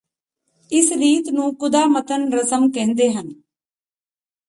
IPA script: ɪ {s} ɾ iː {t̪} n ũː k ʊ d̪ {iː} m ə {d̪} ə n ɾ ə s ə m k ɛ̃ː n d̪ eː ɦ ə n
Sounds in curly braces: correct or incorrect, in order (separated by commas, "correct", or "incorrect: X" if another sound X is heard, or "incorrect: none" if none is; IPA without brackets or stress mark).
correct, correct, incorrect: aː, incorrect: t̪